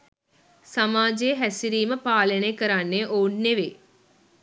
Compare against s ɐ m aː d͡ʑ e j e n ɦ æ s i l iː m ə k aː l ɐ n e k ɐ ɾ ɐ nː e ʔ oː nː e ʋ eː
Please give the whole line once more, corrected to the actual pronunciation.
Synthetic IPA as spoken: s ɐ m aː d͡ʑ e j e ɦ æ s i ɾ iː m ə p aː l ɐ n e k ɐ ɾ a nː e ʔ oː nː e ʋ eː